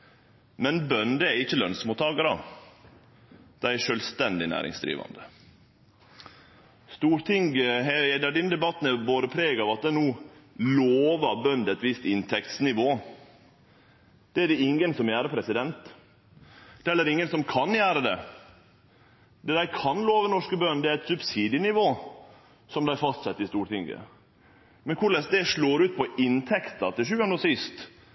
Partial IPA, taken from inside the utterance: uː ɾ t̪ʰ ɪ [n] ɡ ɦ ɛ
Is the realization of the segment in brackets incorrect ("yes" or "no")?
yes